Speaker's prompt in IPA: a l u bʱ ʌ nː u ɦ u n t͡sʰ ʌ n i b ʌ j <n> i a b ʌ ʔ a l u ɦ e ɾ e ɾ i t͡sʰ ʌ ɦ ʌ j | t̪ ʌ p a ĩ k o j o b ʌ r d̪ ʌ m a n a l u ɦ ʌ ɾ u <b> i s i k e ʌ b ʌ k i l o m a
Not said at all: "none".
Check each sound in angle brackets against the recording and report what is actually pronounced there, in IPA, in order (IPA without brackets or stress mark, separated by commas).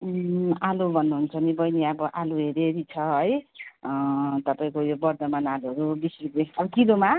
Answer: n, b